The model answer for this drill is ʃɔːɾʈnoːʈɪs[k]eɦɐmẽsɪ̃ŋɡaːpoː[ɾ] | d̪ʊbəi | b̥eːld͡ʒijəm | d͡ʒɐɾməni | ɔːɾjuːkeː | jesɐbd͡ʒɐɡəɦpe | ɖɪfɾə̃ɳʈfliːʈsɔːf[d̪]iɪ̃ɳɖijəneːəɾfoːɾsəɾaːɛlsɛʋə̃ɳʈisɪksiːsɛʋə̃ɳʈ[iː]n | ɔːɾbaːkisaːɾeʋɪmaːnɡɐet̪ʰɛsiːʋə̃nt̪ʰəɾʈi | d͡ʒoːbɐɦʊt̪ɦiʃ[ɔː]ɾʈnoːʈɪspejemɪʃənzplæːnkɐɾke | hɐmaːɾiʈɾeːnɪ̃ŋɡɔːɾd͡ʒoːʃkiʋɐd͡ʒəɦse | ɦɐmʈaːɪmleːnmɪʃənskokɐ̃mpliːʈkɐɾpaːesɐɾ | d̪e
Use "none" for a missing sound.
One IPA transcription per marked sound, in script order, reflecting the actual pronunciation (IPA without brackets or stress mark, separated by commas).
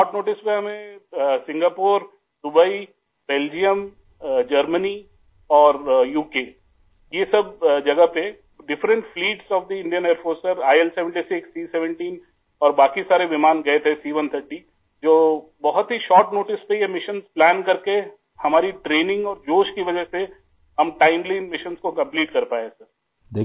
p, ɾ, d̪, iː, ɔː